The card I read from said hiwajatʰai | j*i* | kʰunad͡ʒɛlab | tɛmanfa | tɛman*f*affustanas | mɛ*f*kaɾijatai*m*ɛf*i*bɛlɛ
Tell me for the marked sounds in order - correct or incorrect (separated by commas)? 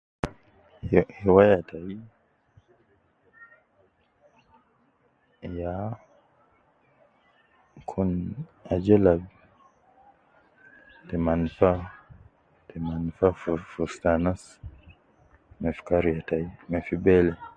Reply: incorrect, correct, correct, correct, correct